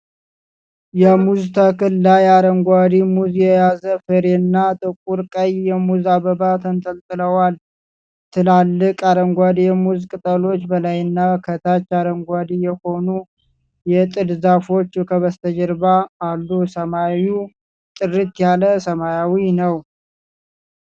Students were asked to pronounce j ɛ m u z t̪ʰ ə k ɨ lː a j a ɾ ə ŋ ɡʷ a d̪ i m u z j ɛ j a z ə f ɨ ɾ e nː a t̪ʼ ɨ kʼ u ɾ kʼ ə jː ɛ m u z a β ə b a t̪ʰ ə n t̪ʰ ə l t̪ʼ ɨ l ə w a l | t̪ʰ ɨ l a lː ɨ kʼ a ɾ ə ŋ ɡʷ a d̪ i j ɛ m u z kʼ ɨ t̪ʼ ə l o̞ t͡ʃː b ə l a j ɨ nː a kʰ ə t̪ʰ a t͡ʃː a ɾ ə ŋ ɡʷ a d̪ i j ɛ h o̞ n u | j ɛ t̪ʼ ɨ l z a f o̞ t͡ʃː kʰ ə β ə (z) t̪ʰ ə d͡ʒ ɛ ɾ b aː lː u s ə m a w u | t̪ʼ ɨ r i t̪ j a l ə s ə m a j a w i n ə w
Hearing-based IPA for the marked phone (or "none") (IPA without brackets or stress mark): s